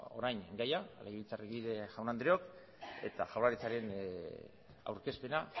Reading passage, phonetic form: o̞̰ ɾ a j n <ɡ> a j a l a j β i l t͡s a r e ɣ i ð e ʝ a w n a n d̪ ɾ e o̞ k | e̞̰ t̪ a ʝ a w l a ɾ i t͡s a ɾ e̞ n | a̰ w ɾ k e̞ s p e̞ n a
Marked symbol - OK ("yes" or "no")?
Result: yes